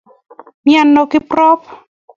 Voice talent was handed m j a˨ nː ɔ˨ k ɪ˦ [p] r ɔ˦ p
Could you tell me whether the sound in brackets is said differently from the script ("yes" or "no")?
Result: no